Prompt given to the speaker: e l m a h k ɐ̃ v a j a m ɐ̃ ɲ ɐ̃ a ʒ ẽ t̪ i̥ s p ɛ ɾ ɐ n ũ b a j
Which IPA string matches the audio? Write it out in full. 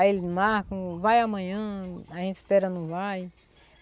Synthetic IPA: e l m a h k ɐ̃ v a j a m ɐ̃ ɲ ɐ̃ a ʒ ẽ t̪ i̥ s p ɛ ɾ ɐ n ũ v a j